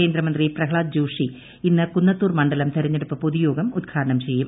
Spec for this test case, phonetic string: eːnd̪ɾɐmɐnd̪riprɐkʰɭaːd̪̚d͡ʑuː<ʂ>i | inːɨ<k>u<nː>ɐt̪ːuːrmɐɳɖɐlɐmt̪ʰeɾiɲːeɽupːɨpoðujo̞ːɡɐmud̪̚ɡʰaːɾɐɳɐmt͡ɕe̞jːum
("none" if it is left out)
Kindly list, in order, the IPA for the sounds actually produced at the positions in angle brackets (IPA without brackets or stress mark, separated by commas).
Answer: ʂ, k, nː